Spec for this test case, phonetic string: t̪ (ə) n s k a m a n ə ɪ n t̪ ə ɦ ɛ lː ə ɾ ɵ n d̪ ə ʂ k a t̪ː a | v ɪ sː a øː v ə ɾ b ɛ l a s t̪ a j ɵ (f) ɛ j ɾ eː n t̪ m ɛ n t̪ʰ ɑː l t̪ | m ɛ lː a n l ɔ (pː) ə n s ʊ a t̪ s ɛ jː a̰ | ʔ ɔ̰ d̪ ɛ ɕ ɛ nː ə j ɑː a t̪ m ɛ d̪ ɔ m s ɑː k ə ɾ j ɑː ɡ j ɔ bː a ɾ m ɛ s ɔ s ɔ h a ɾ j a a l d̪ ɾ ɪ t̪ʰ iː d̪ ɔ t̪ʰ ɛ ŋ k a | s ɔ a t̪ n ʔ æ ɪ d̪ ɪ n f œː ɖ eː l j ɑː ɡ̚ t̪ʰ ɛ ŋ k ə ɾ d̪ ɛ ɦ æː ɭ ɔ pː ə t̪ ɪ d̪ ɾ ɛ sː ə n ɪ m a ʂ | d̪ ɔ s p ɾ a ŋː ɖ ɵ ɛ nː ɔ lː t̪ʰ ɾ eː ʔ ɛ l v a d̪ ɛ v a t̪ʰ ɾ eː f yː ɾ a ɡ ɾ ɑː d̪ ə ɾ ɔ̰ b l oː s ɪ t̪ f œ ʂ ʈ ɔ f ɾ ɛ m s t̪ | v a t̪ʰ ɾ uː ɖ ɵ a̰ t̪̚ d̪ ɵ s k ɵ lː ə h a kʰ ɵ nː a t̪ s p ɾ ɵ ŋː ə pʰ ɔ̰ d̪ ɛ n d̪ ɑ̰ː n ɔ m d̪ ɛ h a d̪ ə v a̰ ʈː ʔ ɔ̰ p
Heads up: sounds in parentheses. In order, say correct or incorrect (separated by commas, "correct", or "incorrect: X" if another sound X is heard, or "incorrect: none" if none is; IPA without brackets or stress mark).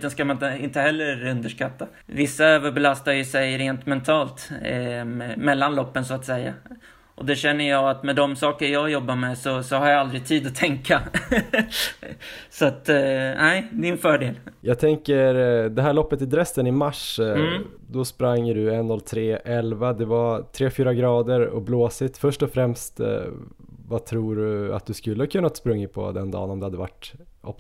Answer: correct, incorrect: s, correct